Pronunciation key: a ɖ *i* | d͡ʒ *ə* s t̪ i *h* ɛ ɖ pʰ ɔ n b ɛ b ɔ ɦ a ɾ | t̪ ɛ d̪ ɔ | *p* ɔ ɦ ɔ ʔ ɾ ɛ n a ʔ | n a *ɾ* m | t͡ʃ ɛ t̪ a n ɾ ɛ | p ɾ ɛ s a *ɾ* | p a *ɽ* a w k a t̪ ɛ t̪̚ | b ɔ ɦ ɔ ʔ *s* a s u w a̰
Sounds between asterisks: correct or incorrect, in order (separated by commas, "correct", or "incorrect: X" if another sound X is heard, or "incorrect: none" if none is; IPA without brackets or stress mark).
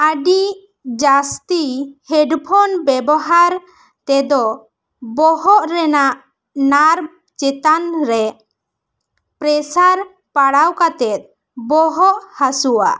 correct, incorrect: a, correct, incorrect: b, correct, correct, correct, incorrect: h